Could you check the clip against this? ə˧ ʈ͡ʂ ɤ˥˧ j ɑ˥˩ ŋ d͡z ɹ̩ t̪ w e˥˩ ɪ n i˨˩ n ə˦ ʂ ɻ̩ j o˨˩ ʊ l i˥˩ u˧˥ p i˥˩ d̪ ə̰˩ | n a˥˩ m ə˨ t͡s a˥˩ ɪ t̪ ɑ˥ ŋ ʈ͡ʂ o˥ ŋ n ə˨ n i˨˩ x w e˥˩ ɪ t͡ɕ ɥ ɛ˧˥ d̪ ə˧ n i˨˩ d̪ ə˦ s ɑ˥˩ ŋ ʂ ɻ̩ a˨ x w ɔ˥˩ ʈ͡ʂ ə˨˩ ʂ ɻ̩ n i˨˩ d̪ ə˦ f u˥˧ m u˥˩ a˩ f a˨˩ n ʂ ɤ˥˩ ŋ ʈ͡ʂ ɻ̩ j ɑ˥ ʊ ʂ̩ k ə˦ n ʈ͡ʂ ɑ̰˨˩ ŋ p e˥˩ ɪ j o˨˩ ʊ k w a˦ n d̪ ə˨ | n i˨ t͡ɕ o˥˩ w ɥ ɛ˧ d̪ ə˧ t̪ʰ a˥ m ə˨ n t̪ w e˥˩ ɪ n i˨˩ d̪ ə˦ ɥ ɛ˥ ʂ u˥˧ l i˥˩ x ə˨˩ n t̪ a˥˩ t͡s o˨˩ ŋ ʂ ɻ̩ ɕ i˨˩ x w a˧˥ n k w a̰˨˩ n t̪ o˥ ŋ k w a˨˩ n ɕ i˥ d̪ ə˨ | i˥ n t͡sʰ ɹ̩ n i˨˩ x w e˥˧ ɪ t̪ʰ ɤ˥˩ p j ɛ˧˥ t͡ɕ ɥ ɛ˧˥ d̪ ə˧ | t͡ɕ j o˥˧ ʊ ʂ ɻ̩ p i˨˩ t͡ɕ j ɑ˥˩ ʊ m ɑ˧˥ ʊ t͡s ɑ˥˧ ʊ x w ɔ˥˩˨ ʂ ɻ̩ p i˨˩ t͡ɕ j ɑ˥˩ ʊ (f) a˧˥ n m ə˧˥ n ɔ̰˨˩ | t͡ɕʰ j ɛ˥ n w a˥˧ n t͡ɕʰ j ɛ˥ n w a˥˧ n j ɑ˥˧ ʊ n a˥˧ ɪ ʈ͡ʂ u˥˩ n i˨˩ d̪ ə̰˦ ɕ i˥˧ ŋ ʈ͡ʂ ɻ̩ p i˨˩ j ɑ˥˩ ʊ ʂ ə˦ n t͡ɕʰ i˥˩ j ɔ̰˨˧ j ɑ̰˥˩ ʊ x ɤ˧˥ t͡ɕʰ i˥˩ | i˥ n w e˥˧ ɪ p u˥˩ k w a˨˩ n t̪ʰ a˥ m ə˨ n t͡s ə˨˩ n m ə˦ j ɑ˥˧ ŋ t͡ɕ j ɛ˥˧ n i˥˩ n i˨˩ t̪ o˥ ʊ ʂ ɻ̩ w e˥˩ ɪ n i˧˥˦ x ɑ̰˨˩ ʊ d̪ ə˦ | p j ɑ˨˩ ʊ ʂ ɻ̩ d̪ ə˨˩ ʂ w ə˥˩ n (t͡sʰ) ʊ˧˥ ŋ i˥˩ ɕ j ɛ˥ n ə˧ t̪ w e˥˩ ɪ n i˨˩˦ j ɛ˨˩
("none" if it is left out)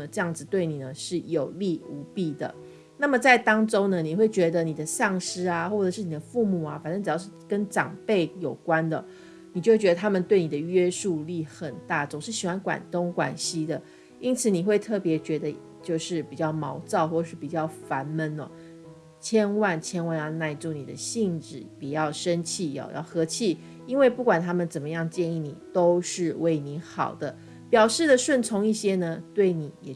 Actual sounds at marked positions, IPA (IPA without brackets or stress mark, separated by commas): f, t͡sʰ